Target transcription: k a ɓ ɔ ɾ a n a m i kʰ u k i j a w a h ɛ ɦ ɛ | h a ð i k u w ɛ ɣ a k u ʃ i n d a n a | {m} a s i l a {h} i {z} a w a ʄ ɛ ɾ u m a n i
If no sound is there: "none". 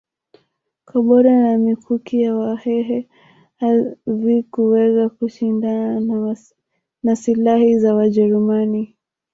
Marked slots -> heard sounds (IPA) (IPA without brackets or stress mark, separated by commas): n, h, z